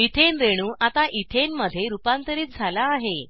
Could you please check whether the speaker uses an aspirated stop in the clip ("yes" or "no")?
yes